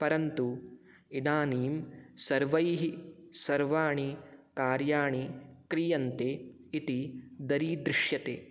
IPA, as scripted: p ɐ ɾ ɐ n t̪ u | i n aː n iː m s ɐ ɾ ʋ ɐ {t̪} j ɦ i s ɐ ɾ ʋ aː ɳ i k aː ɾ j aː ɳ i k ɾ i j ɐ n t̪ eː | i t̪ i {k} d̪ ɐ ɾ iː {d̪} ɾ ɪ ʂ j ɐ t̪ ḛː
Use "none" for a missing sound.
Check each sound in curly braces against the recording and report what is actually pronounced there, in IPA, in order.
none, none, d̪

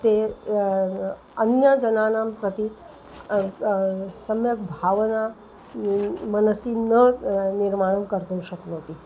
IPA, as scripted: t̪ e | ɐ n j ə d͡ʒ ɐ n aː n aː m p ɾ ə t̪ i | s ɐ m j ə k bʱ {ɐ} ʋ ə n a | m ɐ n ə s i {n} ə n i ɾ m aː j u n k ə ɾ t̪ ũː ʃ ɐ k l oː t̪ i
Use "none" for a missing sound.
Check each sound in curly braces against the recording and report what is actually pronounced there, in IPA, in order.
a, n

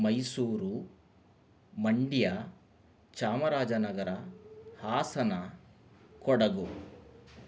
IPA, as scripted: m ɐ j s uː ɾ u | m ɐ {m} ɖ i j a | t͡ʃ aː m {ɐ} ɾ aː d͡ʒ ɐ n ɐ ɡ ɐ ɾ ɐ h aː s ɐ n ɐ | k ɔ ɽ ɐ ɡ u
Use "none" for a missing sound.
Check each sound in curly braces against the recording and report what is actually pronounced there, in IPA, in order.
ɳ, ɐ

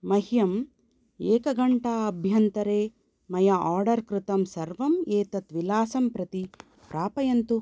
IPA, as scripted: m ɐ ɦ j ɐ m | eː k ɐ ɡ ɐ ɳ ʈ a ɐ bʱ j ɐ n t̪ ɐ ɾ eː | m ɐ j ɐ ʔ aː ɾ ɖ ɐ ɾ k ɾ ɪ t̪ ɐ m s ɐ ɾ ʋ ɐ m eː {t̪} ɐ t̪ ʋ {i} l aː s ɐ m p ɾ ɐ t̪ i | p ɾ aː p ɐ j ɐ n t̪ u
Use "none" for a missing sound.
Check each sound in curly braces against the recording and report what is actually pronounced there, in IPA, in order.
t̪, i

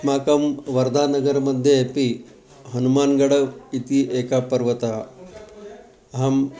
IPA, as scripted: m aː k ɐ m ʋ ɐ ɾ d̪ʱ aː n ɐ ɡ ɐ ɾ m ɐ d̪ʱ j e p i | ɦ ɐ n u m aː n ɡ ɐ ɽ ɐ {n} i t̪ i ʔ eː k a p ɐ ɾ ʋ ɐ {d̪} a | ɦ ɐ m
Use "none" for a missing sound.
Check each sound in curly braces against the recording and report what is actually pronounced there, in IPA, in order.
none, t̪

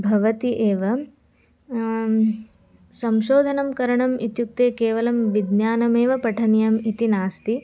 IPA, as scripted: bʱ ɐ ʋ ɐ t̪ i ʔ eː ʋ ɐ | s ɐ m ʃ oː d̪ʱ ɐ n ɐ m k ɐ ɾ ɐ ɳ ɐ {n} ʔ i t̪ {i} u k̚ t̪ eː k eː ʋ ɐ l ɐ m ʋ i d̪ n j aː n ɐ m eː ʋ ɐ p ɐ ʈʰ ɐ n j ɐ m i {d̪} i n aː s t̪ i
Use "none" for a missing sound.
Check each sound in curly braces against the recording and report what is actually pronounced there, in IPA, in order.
m, j, t̪

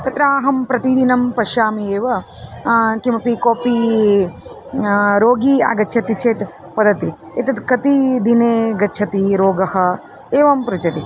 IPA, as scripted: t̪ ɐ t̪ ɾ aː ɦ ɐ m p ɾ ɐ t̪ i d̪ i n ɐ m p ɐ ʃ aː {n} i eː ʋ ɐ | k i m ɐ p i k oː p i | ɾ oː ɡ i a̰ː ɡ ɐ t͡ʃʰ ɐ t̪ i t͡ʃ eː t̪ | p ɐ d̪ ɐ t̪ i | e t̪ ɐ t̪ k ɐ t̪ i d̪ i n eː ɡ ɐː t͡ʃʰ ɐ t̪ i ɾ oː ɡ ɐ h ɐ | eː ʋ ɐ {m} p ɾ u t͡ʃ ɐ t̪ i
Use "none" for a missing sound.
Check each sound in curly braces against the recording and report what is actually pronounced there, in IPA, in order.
m, m

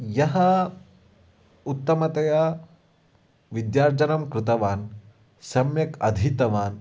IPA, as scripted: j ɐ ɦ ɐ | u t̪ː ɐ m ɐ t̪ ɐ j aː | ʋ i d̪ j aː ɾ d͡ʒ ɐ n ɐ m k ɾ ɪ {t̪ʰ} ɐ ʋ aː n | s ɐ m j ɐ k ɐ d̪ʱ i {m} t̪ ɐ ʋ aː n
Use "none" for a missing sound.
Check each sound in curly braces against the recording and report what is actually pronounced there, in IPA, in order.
t̪, none

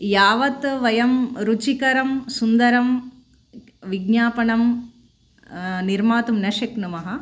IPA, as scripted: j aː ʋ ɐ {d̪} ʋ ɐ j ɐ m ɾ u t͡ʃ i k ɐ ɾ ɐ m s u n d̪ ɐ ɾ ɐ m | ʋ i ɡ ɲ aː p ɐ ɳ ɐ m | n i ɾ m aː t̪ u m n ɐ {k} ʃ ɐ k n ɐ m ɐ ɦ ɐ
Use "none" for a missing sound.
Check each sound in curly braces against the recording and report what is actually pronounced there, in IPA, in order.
t̪, none

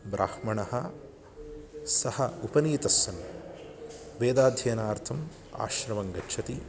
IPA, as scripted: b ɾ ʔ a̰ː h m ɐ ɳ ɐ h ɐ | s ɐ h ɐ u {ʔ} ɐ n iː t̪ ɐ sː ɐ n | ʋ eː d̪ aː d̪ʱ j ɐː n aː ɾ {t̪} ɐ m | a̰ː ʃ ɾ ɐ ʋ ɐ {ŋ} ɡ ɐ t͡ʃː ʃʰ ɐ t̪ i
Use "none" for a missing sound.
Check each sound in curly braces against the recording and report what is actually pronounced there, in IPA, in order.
p, t̪ʰ, ŋ

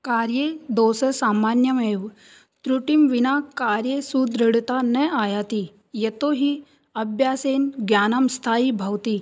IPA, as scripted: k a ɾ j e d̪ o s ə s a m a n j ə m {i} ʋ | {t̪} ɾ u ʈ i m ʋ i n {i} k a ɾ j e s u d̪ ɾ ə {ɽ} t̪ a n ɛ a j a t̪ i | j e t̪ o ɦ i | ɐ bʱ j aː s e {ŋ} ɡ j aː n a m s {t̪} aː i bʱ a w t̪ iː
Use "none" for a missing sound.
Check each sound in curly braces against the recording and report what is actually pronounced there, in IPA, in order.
e, t̪, a, ɽ, n, t̪ʰ

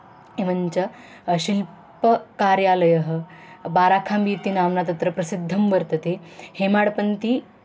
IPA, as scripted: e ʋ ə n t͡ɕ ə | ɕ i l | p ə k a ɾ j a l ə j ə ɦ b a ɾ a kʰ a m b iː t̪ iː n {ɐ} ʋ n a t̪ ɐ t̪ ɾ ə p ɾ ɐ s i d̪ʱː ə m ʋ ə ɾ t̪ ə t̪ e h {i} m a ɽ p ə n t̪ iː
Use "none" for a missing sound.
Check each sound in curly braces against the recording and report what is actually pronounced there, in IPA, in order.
a, e

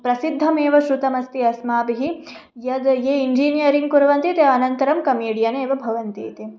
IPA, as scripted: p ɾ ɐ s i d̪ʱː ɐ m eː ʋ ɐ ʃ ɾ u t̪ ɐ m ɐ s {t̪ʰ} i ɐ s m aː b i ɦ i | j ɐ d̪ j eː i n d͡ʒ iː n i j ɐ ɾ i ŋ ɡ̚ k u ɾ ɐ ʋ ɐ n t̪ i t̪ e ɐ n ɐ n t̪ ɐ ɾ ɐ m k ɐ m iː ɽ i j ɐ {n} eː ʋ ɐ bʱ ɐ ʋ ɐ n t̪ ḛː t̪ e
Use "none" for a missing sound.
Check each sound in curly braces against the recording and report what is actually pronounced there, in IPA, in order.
t̪, n

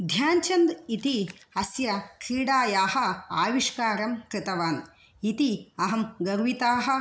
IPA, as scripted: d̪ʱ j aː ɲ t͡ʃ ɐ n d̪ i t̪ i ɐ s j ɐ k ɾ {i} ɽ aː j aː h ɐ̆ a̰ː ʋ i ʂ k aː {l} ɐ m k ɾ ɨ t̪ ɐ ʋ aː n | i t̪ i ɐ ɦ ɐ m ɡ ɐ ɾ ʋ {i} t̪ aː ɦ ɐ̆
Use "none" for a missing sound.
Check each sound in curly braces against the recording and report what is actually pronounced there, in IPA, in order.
iː, ɾ, i

